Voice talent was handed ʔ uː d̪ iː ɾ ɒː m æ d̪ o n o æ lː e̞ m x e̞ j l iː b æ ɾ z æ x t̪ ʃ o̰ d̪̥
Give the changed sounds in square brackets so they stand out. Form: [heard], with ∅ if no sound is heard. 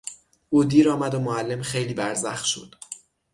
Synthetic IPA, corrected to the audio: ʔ uː d̪ iː ɾ ɒː m æ d̪ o [m] o æ lː e̞ m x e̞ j l iː b æ ɾ z æ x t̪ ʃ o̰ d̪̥